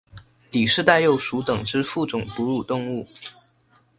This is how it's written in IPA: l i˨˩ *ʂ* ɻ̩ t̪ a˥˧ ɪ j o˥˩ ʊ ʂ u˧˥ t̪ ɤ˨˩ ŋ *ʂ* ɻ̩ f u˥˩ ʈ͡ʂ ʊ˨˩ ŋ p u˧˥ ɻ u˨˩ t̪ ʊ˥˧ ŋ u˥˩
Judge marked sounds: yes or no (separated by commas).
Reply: yes, no